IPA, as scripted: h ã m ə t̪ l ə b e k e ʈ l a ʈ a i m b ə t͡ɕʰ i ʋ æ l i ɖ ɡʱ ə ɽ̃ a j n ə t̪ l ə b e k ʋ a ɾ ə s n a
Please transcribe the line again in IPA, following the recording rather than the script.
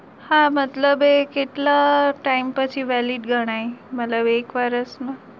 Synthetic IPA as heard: h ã m ə t̪ l ə b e k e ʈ l a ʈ a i m p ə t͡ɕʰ i ʋ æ l i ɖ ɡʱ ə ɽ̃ a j m ə t̪ l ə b e k ʋ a ɾ ə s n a

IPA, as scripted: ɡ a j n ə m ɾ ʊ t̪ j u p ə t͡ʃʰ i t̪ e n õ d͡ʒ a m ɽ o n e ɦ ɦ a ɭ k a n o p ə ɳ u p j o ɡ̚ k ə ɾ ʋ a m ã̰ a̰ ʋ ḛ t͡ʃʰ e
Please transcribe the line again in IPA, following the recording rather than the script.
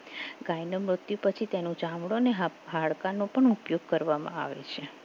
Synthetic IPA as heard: ɡ a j n ə m ɾ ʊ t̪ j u p ə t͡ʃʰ i t̪ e n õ d͡ʒ a m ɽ o n e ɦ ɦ a ɭ k a n o p ə ɳ u p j o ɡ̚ k ə ɾ ʋ a m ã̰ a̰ ʋ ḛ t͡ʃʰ e

